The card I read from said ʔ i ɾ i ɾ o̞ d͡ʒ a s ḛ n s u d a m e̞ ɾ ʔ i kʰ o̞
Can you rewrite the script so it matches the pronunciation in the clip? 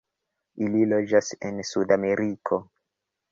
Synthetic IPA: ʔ i l i l o̞ d͡ʒ a s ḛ n s u d a m e̞ ɾ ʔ i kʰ o̞